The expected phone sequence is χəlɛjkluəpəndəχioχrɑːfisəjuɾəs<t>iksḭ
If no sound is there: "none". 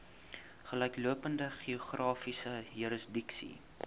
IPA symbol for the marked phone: d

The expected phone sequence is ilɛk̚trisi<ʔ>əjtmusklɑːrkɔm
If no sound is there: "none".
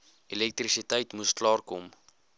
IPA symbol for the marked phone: t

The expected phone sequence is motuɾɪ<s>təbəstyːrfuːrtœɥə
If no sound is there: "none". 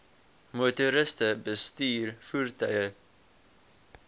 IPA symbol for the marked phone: s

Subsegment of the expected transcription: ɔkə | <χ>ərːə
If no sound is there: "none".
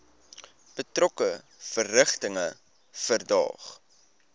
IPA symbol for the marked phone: f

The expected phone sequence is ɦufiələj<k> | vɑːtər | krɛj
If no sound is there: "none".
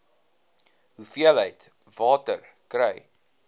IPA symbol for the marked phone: t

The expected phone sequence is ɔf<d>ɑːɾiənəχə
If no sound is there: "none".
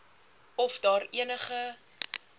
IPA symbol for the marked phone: d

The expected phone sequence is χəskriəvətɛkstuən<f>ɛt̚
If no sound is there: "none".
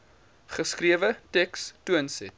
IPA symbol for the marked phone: s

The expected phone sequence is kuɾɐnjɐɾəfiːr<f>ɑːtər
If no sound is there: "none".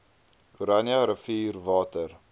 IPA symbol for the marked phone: v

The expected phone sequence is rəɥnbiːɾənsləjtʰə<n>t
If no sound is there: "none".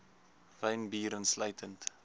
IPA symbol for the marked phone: n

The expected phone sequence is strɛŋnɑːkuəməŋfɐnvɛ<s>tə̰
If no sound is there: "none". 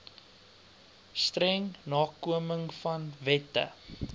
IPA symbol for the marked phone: none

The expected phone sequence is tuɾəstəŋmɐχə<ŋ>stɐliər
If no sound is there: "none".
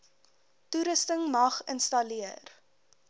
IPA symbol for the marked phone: n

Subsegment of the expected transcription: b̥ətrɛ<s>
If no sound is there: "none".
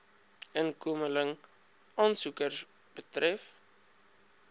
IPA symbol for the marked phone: f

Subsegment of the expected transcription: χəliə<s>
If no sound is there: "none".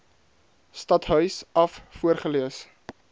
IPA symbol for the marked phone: s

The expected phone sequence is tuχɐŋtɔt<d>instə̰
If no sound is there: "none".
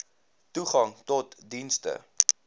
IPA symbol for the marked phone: d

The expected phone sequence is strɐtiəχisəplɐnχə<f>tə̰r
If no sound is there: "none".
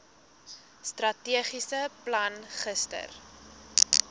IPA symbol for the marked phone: s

